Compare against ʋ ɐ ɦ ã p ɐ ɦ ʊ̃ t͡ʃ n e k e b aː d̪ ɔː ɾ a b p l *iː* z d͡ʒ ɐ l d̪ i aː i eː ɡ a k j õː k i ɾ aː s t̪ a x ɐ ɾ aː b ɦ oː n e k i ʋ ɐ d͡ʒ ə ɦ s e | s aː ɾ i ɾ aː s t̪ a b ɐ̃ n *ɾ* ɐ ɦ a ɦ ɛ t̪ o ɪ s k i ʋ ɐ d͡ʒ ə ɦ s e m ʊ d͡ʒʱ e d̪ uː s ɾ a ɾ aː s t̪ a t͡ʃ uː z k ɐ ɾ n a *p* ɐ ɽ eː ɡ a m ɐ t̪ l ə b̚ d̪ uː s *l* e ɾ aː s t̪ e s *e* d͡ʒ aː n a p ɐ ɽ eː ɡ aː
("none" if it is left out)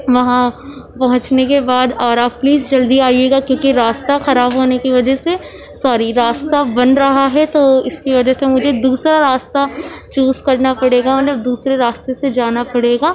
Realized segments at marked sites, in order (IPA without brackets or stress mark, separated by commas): iː, ɾ, p, ɾ, e